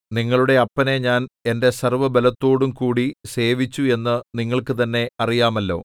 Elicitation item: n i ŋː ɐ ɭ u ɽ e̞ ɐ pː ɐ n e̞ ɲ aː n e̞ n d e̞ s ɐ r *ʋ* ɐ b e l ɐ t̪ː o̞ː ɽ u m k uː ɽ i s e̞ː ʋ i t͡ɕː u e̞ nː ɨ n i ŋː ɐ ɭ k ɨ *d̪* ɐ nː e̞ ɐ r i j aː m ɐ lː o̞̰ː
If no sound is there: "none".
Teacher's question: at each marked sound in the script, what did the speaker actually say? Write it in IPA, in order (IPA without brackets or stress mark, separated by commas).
ʋ, t̪